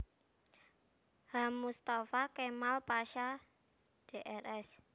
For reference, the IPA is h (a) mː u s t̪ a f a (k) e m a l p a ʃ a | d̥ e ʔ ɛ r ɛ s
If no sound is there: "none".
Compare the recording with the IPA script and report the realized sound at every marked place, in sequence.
a, k

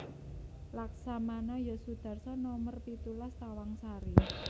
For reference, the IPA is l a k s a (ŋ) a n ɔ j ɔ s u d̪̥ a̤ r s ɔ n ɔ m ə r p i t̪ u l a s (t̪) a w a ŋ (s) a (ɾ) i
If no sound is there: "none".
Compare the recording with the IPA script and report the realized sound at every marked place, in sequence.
m, t̪, s, ɾ

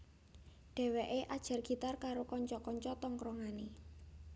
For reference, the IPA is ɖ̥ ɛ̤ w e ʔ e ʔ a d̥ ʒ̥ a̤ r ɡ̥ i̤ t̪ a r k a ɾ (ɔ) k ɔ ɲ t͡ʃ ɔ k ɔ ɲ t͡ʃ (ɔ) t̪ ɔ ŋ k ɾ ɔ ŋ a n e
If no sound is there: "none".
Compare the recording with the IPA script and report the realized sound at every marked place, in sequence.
o, ɔ

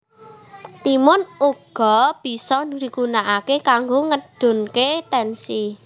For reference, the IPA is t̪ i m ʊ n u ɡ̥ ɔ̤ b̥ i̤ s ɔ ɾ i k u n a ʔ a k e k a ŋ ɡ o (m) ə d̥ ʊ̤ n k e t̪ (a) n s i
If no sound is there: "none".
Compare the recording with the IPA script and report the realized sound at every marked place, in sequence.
ŋ, ɛ

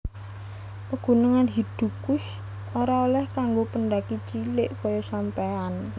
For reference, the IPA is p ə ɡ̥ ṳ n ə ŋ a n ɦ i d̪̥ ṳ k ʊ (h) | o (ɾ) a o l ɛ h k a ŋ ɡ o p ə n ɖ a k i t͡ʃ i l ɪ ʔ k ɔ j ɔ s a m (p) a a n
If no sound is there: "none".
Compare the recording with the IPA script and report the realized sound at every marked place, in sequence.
s, ɾ, p

